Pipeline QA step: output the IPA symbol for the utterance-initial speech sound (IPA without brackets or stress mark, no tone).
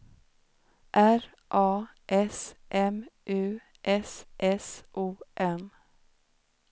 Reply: ʔ